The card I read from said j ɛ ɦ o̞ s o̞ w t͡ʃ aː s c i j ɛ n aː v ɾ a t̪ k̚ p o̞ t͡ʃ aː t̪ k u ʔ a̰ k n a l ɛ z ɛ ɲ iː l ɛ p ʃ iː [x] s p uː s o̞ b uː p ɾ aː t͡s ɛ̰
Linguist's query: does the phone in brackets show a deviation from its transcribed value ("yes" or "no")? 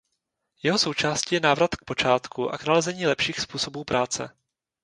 no